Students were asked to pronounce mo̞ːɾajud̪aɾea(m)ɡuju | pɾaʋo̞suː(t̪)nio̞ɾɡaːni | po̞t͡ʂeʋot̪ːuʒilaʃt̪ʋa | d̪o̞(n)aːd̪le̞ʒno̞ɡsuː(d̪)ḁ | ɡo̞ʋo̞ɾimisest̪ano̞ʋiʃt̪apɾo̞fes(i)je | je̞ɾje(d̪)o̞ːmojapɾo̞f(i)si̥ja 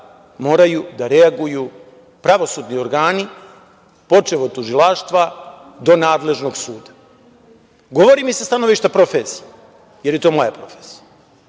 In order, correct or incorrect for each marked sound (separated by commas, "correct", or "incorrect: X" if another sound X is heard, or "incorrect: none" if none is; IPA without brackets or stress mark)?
incorrect: none, incorrect: d̪, correct, correct, correct, incorrect: t̪, incorrect: e